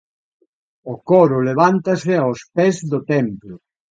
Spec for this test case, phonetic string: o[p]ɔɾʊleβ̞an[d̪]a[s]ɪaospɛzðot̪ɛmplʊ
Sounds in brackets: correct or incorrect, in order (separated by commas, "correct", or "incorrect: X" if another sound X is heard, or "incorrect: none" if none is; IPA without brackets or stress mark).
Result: incorrect: k, incorrect: t̪, correct